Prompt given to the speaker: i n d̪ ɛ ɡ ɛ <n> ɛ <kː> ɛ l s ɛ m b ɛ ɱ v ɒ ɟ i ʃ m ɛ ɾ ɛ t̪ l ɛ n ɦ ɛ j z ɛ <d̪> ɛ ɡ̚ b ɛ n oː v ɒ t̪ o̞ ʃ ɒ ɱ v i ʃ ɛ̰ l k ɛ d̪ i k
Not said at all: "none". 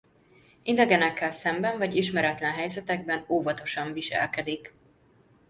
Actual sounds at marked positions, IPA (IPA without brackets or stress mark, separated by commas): n, kː, t̪